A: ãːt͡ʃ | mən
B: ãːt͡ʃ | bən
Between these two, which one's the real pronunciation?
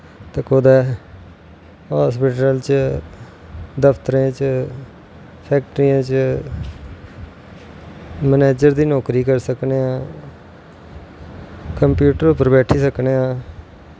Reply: A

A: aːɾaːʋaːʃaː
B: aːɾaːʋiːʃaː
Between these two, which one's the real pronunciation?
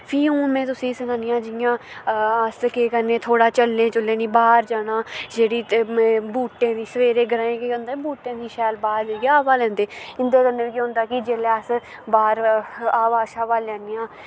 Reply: A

